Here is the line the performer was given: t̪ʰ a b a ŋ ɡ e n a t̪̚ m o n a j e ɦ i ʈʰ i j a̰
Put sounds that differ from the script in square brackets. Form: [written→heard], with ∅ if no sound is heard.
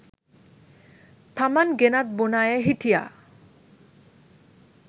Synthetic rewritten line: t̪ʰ a [b→m] a [ŋ→n] ɡ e n a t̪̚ [m→b] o n a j e ɦ i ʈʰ i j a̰